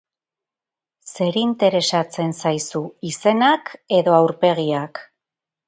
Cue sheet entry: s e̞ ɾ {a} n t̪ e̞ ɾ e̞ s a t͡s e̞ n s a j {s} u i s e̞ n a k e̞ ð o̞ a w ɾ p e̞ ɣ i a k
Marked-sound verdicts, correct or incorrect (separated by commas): incorrect, correct